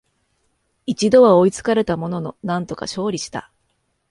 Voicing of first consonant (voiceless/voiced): voiceless